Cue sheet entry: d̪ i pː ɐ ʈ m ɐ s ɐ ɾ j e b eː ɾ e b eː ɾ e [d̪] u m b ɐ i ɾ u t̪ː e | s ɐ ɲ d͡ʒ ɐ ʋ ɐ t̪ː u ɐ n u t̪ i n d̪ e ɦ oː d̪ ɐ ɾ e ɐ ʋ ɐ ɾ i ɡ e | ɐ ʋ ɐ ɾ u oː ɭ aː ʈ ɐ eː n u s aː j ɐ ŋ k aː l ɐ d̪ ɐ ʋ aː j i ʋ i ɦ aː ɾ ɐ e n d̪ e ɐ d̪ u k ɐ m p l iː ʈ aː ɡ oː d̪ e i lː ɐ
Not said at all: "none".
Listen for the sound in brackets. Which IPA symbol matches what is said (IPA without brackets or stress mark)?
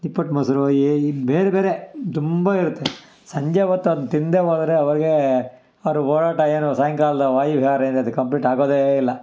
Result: t̪